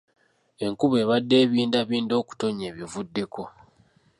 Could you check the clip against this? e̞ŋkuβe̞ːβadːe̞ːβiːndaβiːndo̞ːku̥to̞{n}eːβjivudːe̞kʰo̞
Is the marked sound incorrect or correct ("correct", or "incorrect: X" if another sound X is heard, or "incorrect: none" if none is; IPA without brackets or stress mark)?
incorrect: ɲ